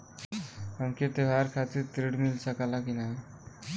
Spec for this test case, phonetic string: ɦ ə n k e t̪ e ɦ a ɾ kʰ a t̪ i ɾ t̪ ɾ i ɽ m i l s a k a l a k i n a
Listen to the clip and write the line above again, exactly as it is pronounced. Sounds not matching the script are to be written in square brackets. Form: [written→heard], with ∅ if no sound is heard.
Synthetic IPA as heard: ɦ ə [n→m] k e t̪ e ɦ a ɾ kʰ a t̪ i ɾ t̪ ɾ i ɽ m i l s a k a l a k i n a